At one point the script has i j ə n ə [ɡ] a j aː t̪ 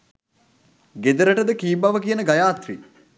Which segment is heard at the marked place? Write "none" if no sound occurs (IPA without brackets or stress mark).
ɡ